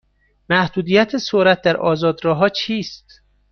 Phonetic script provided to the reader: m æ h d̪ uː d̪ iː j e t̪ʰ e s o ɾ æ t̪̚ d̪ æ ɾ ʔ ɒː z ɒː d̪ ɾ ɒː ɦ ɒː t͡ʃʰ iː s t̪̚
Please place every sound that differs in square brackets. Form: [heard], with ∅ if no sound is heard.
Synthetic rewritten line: m æ h d̪ uː d̪ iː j [æ] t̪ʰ e s o ɾ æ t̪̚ d̪ æ ɾ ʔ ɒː z ɒː d̪ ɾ ɒː ɦ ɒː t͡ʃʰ iː s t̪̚